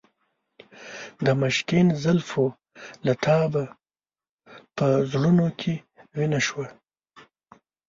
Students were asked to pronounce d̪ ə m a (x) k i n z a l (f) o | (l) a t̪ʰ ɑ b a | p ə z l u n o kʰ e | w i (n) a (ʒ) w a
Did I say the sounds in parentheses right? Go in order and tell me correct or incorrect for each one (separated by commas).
incorrect, correct, correct, correct, incorrect